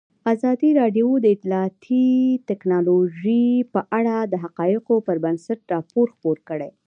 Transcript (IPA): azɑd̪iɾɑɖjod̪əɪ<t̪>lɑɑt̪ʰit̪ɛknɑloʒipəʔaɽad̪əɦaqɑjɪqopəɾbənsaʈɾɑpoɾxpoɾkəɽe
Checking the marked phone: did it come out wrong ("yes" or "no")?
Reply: no